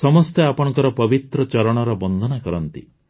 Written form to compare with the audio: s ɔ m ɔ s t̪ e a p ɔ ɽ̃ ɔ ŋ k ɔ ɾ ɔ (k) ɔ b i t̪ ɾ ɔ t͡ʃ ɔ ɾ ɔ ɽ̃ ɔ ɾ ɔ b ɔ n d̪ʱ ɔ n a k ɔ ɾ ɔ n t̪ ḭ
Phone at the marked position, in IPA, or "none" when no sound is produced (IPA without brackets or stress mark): p